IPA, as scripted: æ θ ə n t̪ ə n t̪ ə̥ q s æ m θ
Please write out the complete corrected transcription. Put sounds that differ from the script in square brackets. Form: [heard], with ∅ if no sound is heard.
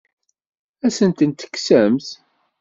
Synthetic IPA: æ [s] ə n t̪ ə n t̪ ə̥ [k] s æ m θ